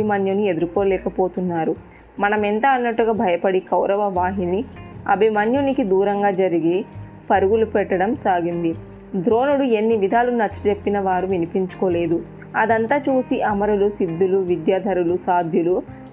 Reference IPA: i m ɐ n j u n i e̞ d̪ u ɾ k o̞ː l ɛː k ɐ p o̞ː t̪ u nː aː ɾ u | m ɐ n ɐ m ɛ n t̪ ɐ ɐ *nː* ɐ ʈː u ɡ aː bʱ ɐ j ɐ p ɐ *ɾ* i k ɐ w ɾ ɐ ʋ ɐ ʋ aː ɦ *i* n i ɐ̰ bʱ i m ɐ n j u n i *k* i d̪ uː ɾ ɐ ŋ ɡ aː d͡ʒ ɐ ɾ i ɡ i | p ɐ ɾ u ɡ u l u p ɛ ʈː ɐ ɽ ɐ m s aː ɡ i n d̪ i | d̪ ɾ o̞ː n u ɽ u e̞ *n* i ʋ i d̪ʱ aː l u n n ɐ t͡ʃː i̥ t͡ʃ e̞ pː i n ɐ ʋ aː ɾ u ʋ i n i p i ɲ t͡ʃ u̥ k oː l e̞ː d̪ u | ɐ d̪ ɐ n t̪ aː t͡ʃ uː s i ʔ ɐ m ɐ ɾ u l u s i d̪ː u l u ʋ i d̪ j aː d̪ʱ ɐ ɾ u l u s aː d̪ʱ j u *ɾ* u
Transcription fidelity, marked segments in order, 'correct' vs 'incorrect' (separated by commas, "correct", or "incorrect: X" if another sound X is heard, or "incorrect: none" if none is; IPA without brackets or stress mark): correct, incorrect: ɽ, correct, correct, incorrect: nː, incorrect: l